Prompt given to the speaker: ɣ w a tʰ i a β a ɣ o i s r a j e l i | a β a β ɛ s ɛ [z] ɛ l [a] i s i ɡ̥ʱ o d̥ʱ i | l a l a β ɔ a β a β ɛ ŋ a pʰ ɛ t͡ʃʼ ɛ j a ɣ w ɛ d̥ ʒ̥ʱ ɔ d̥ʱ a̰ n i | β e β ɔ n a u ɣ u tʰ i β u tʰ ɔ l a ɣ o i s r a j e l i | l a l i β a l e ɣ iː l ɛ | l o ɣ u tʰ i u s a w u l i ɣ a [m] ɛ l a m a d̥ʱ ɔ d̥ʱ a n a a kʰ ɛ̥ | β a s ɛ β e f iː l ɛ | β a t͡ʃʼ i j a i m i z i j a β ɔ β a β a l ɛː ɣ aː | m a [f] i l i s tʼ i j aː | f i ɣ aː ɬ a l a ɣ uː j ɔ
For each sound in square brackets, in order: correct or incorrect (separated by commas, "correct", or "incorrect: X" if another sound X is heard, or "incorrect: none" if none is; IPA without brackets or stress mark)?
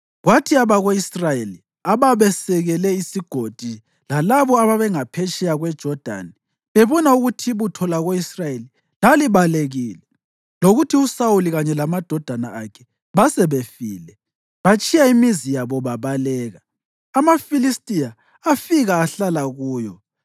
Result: incorrect: ɣ, incorrect: ɛ, incorrect: ɲ, correct